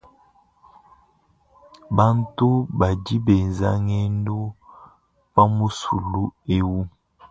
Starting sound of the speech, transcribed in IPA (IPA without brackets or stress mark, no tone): b